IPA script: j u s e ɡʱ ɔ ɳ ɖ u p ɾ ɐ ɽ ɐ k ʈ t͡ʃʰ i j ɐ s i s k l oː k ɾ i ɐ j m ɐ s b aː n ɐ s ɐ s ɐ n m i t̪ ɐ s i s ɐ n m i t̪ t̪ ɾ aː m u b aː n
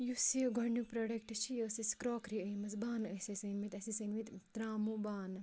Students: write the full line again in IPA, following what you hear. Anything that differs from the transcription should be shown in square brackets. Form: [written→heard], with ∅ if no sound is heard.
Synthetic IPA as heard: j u s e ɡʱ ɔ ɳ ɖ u p ɾ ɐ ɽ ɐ k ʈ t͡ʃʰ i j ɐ s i s k [l→ɾ] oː k ɾ i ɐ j m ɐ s b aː n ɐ s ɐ s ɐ n m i t̪ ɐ s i s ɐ n m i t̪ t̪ ɾ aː m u b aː n

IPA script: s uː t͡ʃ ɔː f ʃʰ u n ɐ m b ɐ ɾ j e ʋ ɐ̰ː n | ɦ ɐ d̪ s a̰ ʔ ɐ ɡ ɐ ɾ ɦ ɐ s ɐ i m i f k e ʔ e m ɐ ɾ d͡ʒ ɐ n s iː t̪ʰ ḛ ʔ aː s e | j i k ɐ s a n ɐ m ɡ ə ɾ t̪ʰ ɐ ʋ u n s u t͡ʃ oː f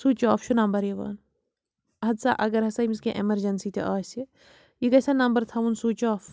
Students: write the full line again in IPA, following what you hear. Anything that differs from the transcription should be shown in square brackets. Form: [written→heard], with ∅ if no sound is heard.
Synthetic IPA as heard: s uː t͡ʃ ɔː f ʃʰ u n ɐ m b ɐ ɾ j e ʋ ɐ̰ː n | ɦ ɐ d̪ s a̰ ʔ ɐ ɡ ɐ ɾ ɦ ɐ s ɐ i m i [f→s] k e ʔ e m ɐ ɾ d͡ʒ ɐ n s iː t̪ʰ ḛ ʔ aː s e | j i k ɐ s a n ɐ m [ɡ→b] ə ɾ t̪ʰ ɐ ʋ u n s u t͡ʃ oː f

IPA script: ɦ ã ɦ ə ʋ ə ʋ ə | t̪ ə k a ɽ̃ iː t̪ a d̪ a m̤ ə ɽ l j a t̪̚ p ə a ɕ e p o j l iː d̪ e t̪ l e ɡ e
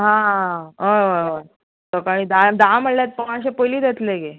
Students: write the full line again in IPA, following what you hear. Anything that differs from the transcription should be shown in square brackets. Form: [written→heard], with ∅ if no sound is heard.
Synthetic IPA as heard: ɦ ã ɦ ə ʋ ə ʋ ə | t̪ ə k a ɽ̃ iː [t̪→d̪] a d̪ a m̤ ə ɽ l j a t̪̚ p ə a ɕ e p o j l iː d̪ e t̪ l e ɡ e

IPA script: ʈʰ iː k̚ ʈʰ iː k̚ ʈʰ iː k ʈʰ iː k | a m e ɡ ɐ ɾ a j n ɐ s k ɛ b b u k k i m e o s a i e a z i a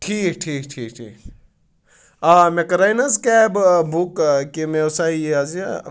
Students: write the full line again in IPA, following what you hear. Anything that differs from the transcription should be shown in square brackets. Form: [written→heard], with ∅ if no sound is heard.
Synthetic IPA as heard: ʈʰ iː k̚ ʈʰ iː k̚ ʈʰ iː k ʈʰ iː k | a m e [ɡ→k] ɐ ɾ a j n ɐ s k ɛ b b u k k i m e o s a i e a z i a

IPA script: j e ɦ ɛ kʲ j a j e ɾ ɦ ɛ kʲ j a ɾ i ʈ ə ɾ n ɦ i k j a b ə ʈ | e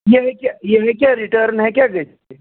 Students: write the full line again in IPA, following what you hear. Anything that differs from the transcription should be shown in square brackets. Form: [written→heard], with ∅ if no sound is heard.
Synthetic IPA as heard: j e ɦ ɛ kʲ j a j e [ɾ→∅] ɦ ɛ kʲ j a ɾ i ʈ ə ɾ n ɦ [i→ɛ] k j a [b→ɡ] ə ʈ | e

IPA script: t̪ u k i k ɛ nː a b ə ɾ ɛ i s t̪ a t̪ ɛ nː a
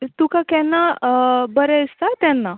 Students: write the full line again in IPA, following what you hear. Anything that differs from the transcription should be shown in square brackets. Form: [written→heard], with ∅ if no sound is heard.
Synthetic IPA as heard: t̪ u k [i→a] k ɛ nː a b ə ɾ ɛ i s t̪ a t̪ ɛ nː a

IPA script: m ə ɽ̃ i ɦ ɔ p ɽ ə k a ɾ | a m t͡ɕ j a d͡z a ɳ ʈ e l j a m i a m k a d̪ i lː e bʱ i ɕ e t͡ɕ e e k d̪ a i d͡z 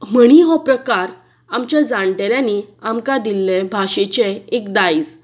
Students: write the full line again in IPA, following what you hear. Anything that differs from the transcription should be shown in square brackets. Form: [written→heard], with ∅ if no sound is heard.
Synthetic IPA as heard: m ə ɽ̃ i ɦ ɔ p [ɽ→ɾ] ə k a ɾ | a m t͡ɕ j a d͡z a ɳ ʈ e l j a [m→n] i a m k a d̪ i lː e bʱ [i→a] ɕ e t͡ɕ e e k d̪ a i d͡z

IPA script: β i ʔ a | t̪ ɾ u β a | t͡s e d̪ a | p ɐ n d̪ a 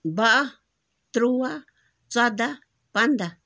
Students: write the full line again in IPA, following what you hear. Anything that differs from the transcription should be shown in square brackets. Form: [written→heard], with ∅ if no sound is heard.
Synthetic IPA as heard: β [i→a] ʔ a | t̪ ɾ u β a | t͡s [e→a] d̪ a | p [ɐ→a] n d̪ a

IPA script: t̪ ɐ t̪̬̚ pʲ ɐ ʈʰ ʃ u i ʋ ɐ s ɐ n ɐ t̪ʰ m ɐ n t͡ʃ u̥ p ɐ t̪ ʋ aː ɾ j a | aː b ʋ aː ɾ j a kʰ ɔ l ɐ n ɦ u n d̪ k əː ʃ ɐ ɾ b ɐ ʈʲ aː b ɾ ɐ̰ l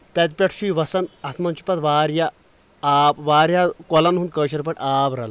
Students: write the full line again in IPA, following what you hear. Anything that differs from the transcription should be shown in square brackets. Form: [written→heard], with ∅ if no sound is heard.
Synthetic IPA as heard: t̪ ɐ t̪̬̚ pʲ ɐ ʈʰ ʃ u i ʋ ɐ s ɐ n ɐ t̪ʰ m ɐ n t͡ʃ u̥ p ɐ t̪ ʋ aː ɾ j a | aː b ʋ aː ɾ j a [kʰ→k] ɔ l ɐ n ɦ u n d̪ k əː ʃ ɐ ɾ [b→p] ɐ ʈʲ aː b ɾ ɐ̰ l

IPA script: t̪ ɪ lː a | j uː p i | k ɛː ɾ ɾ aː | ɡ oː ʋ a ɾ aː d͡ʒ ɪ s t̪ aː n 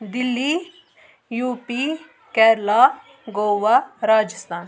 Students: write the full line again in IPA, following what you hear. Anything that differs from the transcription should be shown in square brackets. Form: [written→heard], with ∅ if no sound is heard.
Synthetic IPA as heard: [t̪→d̪] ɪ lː [a→i] | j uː p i | k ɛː ɾ [ɾ→l] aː | ɡ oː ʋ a ɾ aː d͡ʒ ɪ s t̪ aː n

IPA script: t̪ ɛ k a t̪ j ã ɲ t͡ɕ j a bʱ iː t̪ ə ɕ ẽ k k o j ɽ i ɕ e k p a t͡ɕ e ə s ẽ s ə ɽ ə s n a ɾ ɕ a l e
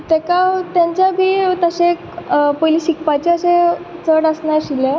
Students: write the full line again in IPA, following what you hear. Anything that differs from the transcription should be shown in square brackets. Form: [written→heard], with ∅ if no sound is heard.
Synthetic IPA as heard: t̪ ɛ k a t̪ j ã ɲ t͡ɕ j a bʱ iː t̪ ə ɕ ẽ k [k→p] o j [ɽ→l] i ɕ [e→i] k p a t͡ɕ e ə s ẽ [s→t͡s] ə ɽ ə s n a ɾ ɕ [a→i] l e

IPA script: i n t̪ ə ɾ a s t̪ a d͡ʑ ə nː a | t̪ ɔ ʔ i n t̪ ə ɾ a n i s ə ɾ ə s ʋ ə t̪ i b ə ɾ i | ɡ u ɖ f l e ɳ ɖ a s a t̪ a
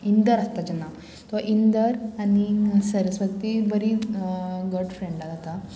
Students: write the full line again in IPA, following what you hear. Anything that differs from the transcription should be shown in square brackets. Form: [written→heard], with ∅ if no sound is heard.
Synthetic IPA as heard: i n [t̪→d̪] ə ɾ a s t̪ a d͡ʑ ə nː a | t̪ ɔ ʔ i n [t̪→d̪] ə ɾ a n i s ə ɾ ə s ʋ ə t̪ i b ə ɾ i | ɡ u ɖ f [l→ɾ] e ɳ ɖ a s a t̪ a

